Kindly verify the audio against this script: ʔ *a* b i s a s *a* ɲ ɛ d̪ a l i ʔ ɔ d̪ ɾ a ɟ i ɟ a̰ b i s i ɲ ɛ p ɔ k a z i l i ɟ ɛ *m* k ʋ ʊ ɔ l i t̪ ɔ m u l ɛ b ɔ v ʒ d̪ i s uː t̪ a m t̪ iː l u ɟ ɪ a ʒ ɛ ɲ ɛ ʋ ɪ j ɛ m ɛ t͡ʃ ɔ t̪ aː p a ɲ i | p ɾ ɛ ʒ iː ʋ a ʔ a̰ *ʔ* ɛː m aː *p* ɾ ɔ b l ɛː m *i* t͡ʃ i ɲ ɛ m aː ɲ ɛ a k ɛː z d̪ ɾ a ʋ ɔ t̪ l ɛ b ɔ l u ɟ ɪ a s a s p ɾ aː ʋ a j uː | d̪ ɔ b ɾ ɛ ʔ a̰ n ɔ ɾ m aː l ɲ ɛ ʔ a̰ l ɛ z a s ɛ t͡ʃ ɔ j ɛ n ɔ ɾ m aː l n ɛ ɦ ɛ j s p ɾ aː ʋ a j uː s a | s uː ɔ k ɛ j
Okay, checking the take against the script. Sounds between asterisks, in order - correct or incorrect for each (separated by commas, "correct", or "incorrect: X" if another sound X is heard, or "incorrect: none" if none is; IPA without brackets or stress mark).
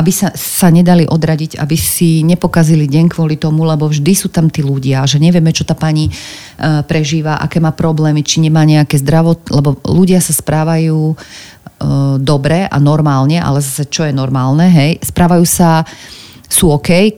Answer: correct, correct, incorrect: ɲ, incorrect: k, correct, correct